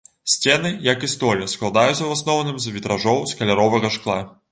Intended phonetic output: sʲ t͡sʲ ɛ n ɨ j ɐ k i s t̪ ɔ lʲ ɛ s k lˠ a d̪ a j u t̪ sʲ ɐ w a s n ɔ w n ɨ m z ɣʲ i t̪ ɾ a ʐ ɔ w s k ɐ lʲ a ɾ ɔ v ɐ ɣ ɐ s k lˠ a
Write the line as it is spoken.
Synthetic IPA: sʲ t͡sʲ ɛ n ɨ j ɐ k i s t̪ ɔ lʲ ɛ s k lˠ a d̪ a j u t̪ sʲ ɐ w a s n ɔ w n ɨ m z vʲ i t̪ ɾ a ʐ ɔ w s k ɐ lʲ a ɾ ɔ v ɐ ɣ ɐ ʂ k lˠ a

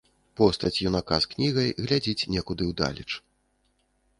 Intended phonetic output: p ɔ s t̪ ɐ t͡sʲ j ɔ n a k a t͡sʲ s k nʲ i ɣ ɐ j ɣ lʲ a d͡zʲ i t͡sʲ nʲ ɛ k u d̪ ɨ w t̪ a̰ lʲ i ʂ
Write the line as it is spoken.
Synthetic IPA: p ɔ s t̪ ɐ t͡sʲ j u n a k a s k nʲ i ɣ ɐ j ɣ lʲ a d͡zʲ i t͡sʲ nʲ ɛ k u d̪ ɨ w d̪ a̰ lʲ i t͡ʂ

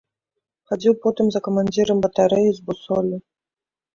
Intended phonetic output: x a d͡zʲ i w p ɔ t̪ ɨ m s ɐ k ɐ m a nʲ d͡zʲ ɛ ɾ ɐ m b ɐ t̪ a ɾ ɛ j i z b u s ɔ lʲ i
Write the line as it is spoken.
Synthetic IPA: x a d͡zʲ i w p ɔ t̪ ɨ m z ɐ k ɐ m a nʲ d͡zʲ i ɾ ɐ m b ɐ t̪ a ɾ ɛ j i z b u s ɔ lʲ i

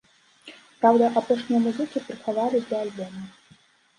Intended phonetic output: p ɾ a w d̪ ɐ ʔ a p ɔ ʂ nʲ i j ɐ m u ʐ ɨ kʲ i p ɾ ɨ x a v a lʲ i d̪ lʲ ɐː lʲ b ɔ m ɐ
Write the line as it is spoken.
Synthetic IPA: p ɾ a w d̪ ɐ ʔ a p ɔ ʂ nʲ i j ɐ m u z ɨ kʲ i p ɾ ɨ x a v a lʲ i d̪ lʲ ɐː lʲ b ɔ m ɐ

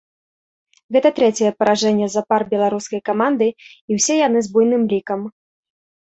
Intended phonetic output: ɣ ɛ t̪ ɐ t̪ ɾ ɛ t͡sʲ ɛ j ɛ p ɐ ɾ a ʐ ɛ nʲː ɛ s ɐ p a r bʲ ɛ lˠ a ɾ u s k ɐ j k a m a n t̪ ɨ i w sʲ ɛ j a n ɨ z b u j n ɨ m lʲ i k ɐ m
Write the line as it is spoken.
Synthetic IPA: ɣ ɛ t̪ ɐ t̪ ɾ ɛ t͡sʲ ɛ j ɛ p ɐ ɾ a ʐ ɛ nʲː ɛ z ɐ p a r bʲ ɛ lˠ a ɾ u s k ɐ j k a m a n d̪ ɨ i w sʲ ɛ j a n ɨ z b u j n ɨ m lʲ i k ɐ m

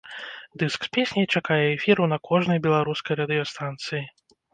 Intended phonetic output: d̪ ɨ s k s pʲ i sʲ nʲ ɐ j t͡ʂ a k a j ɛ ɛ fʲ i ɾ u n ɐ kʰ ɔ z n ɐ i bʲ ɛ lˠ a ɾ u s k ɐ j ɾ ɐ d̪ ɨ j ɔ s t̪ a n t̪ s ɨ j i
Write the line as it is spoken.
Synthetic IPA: d̪ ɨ s k s pʲ e sʲ nʲ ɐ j t͡ʂ a k a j ɛ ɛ fʲ i ɾ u n ɐ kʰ ɔ ʐ n ɐ j bʲ ɛ lˠ a ɾ u s k ɐ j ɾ ɐ d̪ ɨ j ɔ s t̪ a n t̪ s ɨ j i

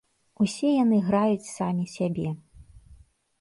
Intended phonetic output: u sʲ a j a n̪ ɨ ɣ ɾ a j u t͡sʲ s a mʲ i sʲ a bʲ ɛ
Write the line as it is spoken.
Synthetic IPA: u sʲ ɛ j a n̪ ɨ ɣ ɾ a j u t͡sʲ s a mʲ i sʲ a bʲ ɛ

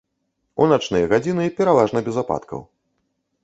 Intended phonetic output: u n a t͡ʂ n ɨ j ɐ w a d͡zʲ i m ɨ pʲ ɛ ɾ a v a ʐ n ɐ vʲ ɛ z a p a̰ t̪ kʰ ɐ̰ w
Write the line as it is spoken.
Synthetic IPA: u n a t͡ʂ n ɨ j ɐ ɣ a d͡zʲ i n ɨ pʲ ɛ ɾ a v a ʐ n ɐ bʲ ɛ z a p a̰ t̪ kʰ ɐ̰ w

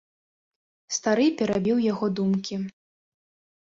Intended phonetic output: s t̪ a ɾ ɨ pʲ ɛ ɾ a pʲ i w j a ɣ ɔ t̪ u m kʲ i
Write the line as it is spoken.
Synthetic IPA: s t̪ a ɾ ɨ pʲ ɛ ɾ a bʲ i w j a ɣ ɔ d̪ u m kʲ i

